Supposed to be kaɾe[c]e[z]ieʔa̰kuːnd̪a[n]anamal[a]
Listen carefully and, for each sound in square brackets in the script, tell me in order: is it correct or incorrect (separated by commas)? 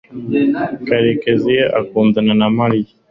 incorrect, correct, correct, incorrect